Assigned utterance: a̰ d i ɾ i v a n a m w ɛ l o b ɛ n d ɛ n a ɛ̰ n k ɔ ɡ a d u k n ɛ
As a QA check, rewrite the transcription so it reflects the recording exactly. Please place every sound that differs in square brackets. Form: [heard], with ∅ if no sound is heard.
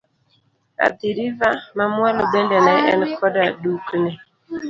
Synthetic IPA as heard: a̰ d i ɾ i v a [m] a m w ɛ l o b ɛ n d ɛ n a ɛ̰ n k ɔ [d] a d u k n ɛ